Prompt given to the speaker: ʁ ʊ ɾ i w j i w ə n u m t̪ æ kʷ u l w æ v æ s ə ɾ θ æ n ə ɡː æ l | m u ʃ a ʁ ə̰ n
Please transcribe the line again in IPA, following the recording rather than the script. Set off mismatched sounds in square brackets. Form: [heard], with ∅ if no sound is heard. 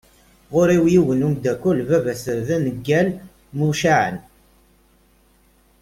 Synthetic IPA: ʁ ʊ ɾ i w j i w ə n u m [d̪] æ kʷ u l [v] æ v æ s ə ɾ [ð] æ n ə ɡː æ l | m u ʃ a [ʕ] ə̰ n